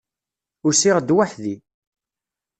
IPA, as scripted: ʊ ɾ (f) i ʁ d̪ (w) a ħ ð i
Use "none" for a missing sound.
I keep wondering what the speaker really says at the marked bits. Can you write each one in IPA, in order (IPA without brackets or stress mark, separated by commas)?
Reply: s, w